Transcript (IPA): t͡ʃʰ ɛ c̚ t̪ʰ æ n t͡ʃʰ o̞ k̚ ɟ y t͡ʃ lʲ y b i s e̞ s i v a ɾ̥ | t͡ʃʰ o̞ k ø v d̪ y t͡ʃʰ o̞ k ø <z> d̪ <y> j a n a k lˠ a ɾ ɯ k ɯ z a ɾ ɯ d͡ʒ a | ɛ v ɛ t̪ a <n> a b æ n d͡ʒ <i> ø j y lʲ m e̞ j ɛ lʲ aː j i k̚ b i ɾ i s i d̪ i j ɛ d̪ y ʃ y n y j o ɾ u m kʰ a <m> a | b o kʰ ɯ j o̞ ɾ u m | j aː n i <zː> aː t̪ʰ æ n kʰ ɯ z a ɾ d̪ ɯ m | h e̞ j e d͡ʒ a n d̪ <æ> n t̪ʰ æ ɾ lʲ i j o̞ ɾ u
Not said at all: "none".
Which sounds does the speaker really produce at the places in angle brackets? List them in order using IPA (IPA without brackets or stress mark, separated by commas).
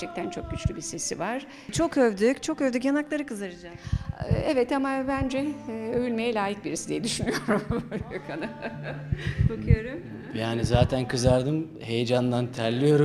v, y, m, ɛ, n, z, a